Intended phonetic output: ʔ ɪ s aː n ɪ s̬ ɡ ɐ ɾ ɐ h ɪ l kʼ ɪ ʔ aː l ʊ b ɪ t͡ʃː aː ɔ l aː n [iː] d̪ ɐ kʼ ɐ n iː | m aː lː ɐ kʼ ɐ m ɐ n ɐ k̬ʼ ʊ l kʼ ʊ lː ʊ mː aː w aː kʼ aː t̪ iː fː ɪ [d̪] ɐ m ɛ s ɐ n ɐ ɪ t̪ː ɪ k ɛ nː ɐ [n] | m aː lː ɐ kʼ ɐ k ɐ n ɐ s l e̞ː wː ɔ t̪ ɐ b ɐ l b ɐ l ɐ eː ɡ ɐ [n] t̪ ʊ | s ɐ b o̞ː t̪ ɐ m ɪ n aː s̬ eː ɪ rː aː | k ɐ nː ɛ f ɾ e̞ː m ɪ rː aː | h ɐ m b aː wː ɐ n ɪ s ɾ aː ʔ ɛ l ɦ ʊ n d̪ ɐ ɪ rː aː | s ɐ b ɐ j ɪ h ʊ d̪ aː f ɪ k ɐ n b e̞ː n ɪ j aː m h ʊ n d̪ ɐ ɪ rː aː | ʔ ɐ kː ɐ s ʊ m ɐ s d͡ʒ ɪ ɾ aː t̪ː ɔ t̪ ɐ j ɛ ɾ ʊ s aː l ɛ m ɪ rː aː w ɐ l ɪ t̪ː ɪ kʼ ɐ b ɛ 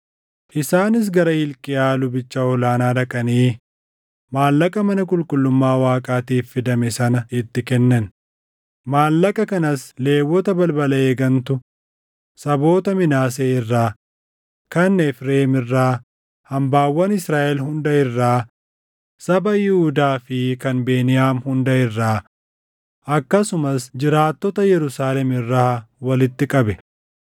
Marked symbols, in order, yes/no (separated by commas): no, yes, yes, yes